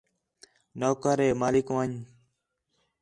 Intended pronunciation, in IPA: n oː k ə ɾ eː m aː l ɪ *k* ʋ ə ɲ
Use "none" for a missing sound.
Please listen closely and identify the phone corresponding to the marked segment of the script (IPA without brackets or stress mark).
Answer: k